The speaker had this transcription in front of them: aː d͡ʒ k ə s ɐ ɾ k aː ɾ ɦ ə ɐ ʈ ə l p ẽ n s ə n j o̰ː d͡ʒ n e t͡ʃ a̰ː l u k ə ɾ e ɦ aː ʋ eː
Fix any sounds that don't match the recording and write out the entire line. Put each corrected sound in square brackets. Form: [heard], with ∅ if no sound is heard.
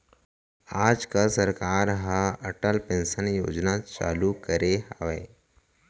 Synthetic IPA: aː d͡ʒ k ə s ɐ ɾ k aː ɾ ɦ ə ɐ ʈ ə l p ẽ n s ə n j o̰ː d͡ʒ n [a] t͡ʃ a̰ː l u k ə ɾ e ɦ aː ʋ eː